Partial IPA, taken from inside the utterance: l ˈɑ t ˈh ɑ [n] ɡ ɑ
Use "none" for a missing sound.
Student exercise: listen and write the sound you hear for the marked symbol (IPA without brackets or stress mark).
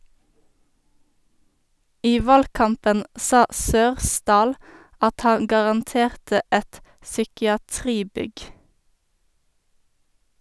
ŋ